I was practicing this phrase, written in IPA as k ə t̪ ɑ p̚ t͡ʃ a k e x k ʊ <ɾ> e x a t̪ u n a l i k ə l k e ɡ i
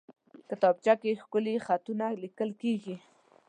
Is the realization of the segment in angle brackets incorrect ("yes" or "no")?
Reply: yes